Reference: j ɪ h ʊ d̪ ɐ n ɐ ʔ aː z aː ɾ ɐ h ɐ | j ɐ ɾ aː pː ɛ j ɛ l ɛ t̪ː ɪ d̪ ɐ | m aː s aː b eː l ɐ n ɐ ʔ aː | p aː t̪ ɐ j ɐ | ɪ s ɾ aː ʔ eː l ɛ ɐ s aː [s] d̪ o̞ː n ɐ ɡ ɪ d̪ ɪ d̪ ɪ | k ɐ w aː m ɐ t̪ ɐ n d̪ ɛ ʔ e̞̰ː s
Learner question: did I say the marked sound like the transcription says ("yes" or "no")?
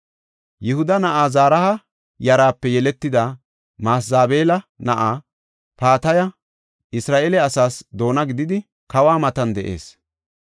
yes